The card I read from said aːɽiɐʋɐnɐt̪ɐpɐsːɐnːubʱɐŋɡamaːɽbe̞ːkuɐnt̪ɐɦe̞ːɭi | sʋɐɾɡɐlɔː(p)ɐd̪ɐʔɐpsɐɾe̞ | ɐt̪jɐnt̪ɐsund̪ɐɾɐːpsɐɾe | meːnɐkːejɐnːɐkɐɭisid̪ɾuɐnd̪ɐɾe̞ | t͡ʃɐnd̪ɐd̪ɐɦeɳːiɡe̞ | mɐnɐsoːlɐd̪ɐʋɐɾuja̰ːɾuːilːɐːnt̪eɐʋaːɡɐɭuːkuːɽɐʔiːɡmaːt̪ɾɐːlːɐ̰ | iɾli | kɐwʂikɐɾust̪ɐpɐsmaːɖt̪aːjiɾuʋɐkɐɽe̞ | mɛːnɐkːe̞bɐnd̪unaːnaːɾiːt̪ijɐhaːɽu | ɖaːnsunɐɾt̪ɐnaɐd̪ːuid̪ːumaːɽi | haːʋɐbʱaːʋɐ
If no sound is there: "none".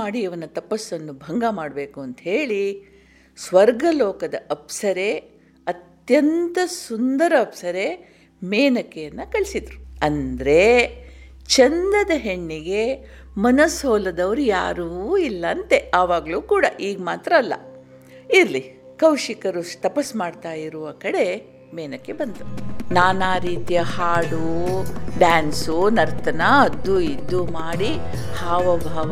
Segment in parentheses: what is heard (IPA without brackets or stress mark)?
k